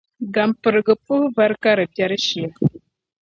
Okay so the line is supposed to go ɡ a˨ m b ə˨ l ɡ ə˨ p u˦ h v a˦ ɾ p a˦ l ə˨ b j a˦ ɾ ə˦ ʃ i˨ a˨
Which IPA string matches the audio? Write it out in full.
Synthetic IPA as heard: ɡ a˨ m p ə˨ ɾ ɡ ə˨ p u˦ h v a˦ ɾ k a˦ ɾ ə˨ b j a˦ ɾ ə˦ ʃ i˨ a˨